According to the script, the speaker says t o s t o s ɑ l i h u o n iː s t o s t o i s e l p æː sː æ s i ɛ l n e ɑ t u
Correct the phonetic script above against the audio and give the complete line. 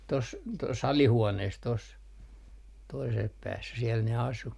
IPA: t o s t o s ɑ l i h u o n eː s t o s t o i s e l p æː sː æ s i ɛ l n e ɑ s u